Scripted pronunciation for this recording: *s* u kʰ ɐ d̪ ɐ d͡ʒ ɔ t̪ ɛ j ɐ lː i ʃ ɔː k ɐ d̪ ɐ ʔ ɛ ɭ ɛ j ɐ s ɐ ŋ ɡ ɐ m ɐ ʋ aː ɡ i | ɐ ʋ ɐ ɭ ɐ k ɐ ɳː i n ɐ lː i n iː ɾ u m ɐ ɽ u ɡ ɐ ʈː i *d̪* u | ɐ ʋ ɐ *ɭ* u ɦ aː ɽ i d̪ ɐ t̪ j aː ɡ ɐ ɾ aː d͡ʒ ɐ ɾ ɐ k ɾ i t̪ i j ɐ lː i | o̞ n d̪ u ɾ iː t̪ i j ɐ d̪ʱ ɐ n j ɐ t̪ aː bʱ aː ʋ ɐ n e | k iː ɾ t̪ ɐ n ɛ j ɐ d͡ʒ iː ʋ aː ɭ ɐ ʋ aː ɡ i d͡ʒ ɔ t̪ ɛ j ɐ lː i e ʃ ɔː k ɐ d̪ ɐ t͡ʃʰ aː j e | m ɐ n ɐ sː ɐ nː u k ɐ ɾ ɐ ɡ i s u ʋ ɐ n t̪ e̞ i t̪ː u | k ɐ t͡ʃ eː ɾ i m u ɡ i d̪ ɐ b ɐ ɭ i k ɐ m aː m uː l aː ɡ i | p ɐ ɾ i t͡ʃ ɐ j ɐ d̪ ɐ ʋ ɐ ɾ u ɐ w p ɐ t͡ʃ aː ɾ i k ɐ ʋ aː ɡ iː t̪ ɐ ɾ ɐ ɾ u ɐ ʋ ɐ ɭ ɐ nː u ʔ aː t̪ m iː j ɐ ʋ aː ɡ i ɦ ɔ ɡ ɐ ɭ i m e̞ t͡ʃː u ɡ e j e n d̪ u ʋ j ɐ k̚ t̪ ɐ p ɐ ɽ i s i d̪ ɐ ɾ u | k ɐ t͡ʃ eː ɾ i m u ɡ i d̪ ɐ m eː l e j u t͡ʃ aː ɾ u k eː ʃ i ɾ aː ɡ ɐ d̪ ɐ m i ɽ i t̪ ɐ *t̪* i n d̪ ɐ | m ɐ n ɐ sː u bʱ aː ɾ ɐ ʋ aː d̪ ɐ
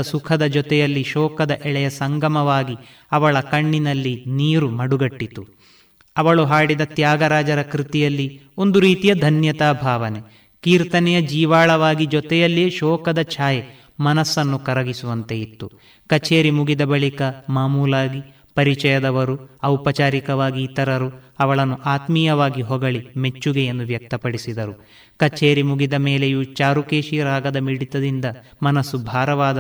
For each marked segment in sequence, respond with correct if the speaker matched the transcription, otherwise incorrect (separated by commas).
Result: correct, incorrect, correct, incorrect